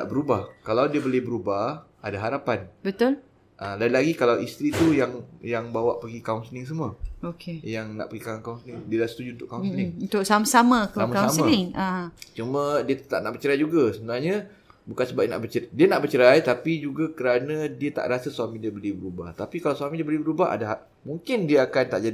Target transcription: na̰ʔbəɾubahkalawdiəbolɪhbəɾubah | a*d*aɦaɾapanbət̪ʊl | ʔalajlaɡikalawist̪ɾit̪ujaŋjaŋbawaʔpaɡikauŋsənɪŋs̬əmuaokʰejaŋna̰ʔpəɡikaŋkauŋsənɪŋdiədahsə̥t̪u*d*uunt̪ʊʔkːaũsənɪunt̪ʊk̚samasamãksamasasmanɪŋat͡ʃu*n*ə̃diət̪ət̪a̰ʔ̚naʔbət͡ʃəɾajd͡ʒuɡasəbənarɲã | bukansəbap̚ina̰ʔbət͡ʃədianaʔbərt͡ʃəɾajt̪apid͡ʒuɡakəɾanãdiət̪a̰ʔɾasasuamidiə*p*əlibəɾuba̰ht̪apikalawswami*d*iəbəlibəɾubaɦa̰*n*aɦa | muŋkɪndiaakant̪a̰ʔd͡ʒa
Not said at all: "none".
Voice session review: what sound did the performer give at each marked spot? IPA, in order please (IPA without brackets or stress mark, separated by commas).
d, d͡ʒ, m, b, d, d